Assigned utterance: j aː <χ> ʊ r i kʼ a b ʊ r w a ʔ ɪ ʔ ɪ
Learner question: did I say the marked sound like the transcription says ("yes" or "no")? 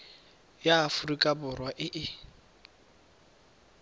no